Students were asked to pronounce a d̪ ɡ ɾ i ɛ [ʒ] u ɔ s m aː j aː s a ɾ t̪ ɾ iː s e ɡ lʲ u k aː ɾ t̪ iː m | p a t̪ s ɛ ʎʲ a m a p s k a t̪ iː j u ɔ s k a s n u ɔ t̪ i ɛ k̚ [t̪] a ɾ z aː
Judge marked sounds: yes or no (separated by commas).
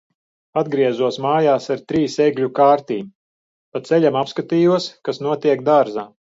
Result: no, no